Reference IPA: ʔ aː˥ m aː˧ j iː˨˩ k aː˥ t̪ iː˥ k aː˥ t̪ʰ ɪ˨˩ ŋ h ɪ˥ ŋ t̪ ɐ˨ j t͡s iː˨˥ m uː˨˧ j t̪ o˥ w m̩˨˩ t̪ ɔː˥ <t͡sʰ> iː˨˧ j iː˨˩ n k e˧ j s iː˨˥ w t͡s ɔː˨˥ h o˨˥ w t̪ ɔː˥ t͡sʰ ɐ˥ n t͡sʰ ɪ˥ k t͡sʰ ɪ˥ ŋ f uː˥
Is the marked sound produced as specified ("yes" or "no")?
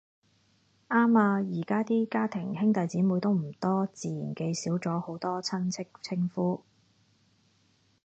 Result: no